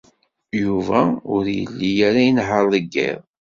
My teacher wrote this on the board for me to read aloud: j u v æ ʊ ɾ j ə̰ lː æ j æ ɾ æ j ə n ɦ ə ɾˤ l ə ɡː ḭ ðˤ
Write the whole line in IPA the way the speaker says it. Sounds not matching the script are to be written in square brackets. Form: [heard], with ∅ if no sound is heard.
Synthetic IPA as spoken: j u v æ ʊ ɾ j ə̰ lː [i] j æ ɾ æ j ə n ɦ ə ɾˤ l ə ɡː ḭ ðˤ